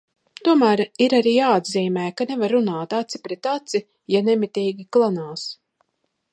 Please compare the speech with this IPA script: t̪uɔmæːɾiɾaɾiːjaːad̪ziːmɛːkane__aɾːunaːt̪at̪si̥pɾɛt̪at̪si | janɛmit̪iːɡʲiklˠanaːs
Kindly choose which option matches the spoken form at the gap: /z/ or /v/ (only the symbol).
v